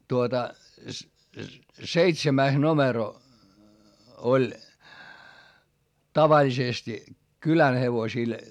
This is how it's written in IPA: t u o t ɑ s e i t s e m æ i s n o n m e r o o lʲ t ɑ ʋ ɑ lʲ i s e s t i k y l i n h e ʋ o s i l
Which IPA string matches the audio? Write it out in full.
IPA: t u o t ɑ s e i t s e m æ i s n o m e r o o lʲ t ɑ ʋ ɑ lʲ i s e s t i k y l æ n h e ʋ o s i l